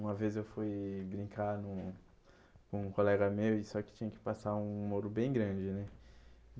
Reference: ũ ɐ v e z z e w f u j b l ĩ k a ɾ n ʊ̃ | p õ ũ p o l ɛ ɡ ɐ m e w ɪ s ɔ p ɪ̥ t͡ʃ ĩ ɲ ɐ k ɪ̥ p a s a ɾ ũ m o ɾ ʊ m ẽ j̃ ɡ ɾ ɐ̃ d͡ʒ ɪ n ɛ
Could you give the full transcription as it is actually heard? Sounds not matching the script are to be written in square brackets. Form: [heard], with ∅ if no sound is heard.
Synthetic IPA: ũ ɐ v e z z e w f u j b [ɾ] ĩ k a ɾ n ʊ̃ | [k] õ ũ [k] o l ɛ ɡ ɐ m e w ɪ s ɔ [k] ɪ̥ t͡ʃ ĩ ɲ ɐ k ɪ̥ p a s a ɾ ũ m o ɾ ʊ [b] ẽ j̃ ɡ ɾ ɐ̃ d͡ʒ ɪ n ɛ